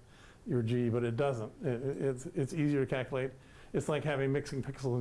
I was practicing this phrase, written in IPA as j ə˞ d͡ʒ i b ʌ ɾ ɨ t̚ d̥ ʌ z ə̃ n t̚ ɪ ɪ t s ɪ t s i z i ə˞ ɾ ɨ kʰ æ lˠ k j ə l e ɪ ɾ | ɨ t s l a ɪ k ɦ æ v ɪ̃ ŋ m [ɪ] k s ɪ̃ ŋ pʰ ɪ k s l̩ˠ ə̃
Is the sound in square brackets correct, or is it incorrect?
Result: correct